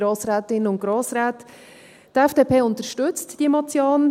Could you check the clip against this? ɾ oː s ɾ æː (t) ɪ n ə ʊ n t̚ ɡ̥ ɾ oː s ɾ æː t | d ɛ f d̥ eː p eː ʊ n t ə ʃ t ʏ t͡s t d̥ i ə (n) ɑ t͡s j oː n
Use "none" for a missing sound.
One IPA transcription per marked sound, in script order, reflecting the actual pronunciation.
t, m

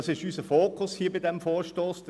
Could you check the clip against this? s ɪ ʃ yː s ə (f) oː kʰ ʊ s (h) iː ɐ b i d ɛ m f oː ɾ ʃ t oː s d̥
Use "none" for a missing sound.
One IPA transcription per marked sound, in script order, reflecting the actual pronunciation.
f, h

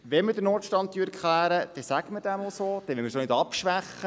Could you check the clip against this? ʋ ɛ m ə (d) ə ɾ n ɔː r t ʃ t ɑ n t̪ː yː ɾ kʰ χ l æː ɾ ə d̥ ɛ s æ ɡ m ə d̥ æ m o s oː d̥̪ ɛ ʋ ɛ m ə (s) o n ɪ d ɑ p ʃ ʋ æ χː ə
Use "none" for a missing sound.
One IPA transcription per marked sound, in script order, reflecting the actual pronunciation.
d, s

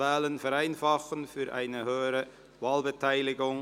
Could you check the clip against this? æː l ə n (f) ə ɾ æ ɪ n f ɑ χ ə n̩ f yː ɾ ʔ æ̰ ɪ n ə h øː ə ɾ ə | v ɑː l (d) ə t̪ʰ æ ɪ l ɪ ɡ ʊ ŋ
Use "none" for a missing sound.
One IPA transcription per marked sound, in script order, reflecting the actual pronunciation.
f, b

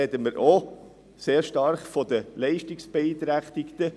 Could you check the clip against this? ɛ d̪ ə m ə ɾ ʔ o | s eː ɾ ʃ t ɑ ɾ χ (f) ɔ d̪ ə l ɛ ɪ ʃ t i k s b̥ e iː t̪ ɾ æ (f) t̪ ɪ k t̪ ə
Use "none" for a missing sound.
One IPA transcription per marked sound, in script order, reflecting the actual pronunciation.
f, χ

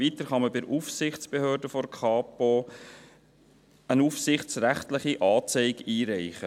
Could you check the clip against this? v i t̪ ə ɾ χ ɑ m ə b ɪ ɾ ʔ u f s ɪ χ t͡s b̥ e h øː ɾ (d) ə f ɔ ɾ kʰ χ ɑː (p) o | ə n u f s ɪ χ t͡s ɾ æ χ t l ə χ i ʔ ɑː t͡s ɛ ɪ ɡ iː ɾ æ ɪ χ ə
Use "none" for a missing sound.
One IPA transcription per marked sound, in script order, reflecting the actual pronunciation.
d, p

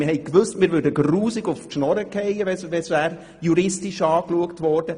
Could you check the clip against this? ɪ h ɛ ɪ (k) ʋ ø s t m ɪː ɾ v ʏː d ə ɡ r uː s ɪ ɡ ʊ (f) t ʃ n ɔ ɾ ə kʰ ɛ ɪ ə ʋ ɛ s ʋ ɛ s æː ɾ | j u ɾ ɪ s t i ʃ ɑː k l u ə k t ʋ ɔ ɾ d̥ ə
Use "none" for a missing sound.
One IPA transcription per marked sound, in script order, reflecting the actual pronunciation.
k, f

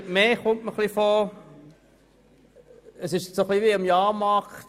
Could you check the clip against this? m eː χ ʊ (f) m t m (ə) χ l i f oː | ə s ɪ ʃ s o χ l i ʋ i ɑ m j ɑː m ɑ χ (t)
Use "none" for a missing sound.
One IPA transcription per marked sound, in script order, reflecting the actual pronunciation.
none, ə, t

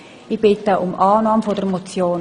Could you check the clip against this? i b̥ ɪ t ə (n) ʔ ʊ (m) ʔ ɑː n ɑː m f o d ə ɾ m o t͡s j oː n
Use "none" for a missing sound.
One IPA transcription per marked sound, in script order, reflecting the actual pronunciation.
none, m

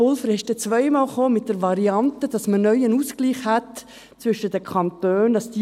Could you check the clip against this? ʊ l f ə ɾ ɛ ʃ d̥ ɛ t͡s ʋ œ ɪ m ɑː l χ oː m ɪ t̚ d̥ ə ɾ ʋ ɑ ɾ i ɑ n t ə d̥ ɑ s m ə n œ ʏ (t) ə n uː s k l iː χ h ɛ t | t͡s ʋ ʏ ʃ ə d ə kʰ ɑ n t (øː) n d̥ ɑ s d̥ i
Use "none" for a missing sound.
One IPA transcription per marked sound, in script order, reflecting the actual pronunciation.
none, øː

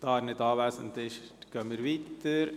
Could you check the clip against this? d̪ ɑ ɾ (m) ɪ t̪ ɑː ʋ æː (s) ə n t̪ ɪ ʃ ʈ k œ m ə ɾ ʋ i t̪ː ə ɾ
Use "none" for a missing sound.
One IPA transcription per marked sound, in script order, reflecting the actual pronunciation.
n, s

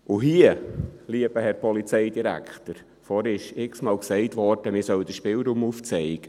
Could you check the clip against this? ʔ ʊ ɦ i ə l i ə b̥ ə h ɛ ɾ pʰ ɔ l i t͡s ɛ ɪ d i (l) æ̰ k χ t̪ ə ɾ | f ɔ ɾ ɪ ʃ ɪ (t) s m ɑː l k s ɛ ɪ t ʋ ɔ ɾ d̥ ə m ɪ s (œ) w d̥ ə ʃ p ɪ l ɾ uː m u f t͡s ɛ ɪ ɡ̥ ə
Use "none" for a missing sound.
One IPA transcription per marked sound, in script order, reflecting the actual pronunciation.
ɾ, k, œ

